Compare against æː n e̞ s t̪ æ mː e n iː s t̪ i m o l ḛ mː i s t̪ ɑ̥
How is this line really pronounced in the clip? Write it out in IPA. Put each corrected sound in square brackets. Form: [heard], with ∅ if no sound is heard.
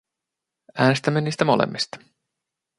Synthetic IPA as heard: æː n e̞ s t̪ æ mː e n iː s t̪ [æ] m o l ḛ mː i s t̪ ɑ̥